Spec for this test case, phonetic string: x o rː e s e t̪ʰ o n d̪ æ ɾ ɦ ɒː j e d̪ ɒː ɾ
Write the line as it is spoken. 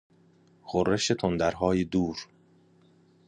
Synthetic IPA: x o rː e ʃ e t̪ʰ o n d̪ æ ɾ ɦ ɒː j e d̪ uː ɾ